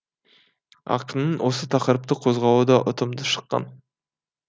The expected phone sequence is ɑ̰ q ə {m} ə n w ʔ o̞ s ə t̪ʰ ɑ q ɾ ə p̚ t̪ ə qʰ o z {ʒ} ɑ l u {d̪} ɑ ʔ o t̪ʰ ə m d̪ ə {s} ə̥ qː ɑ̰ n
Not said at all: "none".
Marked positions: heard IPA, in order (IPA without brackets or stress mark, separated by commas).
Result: n, ʁ, d̪, ʃ